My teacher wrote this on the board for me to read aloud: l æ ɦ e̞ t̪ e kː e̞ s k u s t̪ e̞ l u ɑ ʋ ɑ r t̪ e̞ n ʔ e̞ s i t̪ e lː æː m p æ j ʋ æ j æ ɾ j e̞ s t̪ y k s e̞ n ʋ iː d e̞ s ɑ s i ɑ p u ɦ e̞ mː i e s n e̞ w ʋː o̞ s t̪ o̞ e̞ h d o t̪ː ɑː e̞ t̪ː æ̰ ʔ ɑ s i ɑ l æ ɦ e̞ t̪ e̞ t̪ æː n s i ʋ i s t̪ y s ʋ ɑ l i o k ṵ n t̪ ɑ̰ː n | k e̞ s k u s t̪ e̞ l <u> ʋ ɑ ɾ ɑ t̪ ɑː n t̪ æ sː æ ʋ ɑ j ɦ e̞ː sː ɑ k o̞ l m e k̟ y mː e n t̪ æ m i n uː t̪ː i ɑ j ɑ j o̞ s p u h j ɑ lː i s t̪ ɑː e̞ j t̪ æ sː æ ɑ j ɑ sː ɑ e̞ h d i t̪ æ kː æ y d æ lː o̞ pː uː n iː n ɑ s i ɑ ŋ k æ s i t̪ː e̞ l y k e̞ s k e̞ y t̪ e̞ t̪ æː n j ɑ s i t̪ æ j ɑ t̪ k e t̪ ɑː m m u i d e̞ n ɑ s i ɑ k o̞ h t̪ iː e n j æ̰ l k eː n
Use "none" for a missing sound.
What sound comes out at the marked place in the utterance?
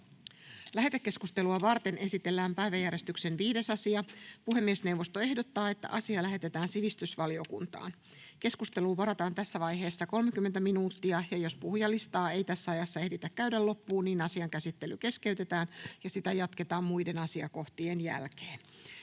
uː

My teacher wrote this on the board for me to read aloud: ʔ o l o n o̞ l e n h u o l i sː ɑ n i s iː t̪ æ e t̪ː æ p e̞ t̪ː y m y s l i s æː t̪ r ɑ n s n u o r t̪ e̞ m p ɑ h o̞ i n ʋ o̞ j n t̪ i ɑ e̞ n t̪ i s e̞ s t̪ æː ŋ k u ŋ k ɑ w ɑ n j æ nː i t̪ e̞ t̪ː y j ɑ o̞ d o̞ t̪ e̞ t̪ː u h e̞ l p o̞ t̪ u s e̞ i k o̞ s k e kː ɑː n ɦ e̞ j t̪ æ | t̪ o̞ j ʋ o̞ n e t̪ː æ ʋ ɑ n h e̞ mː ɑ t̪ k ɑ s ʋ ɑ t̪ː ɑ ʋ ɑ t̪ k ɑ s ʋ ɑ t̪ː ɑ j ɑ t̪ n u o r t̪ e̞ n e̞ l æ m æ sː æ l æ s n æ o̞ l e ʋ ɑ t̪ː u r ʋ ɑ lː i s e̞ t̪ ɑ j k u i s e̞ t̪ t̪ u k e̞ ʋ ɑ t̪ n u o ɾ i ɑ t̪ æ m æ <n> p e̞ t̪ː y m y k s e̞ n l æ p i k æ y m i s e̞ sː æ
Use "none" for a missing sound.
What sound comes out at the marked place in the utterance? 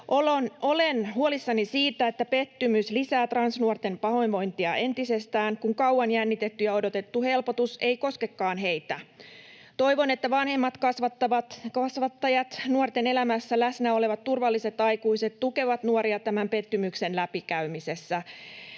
m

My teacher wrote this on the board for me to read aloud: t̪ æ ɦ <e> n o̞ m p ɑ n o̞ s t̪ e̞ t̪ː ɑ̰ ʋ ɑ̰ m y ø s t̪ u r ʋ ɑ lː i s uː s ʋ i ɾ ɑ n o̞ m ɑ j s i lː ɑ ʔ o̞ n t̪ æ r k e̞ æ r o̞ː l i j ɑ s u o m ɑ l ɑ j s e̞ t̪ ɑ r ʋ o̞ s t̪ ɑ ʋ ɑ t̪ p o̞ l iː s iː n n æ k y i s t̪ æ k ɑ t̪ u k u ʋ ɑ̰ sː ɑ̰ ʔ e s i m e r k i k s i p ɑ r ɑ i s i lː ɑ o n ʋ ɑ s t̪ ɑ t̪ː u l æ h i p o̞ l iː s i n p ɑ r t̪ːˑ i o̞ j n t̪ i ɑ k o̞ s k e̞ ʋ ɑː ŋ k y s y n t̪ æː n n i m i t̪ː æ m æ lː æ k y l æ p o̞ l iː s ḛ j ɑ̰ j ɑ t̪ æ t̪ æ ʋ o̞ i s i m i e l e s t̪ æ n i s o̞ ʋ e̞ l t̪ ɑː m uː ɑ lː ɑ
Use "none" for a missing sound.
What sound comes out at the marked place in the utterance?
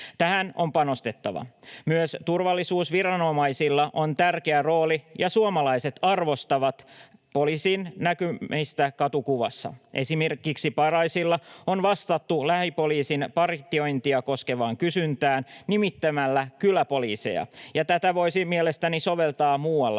æ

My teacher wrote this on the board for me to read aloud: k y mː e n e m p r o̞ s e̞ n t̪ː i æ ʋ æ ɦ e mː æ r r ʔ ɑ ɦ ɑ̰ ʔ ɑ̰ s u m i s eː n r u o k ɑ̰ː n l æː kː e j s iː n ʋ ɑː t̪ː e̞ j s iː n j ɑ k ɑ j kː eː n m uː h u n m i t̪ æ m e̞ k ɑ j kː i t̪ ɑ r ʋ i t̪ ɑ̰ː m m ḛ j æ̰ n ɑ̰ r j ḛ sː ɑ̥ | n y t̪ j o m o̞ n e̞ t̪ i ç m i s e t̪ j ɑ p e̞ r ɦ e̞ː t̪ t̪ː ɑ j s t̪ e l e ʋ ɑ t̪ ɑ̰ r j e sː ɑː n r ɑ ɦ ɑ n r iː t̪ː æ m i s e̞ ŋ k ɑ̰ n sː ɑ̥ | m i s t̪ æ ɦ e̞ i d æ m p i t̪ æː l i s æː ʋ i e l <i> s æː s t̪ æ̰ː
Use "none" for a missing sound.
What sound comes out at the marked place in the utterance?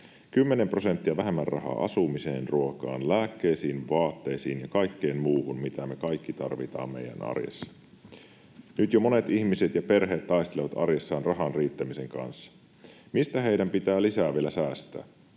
æ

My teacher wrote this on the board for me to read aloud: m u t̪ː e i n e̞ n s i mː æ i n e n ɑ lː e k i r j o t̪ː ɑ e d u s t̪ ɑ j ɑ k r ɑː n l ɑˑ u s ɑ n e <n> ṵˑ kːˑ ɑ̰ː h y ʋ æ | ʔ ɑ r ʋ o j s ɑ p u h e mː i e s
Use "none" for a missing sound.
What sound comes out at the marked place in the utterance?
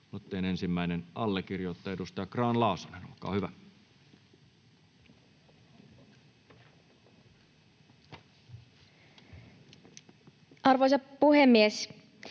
n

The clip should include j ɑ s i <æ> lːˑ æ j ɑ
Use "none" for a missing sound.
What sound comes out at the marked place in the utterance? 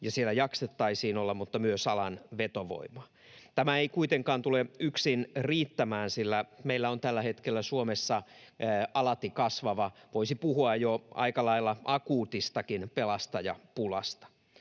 e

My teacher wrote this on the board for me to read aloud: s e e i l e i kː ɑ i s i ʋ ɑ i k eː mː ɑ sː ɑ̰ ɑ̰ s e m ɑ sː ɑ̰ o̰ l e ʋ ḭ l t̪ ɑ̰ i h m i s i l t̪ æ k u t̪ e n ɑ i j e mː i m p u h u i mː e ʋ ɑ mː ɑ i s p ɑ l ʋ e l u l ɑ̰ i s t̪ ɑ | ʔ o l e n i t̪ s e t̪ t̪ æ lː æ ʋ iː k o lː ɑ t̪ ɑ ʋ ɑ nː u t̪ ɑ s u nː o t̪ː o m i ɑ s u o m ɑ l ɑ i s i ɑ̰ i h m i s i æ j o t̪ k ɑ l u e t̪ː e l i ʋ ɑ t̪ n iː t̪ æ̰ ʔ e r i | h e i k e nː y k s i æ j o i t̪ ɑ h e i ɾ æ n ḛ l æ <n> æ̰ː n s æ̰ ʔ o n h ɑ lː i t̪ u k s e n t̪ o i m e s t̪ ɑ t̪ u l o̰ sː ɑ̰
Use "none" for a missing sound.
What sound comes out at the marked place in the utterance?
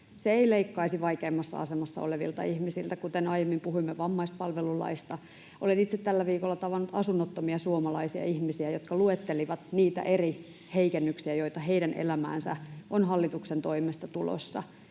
m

